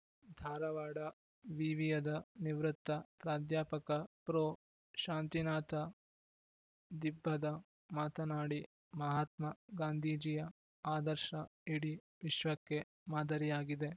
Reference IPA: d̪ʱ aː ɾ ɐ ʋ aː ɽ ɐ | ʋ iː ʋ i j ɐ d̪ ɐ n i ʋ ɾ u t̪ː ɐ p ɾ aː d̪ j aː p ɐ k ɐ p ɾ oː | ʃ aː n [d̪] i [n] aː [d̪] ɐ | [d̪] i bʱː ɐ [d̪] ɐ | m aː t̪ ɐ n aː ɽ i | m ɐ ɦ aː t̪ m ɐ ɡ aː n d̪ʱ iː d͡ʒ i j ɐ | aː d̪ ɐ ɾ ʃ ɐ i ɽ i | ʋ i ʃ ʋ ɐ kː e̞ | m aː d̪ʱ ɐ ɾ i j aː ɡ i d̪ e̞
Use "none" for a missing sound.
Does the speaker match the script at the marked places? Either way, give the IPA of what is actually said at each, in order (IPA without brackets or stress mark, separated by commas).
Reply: t̪, n, t̪, d̪, d̪